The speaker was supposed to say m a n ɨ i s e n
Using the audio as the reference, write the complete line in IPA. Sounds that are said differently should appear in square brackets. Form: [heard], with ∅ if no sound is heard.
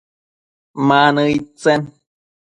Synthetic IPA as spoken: m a n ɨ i [t͡s] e n